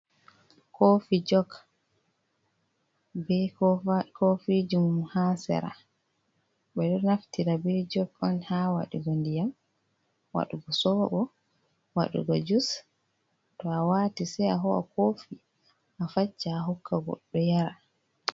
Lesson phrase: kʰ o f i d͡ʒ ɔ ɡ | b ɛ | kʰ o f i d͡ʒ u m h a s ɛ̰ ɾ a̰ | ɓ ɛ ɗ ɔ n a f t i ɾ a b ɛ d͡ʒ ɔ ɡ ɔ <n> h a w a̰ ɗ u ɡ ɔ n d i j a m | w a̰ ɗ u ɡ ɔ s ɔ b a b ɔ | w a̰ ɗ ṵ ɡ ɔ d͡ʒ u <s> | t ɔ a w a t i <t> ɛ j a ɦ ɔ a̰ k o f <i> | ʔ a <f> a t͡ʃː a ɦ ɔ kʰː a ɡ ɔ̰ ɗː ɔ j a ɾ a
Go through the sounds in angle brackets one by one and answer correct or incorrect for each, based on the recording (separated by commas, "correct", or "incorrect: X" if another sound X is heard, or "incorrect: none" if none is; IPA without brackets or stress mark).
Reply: correct, correct, incorrect: s, correct, correct